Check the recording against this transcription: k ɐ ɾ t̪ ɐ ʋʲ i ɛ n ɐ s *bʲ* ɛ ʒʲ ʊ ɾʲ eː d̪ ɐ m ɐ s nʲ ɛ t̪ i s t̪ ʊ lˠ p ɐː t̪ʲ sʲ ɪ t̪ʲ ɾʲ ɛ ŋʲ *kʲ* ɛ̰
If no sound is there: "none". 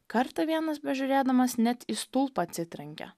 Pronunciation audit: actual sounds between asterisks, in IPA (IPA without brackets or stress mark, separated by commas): bʲ, kʲ